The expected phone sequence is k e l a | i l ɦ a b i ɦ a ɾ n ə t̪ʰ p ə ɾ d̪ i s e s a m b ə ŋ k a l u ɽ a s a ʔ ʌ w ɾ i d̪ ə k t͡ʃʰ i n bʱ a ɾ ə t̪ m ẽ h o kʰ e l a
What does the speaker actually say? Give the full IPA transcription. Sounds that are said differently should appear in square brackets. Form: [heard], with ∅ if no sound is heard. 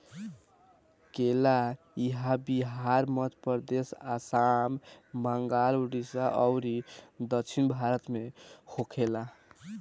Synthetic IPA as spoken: k e l a | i [∅] ɦ a b i ɦ a ɾ [m] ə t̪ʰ p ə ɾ d̪ [e] s [a] s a m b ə ŋ [ɡ] a l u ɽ [i] s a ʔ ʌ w ɾ i d̪ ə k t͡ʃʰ i n bʱ a ɾ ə t̪ m [e] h o kʰ e l a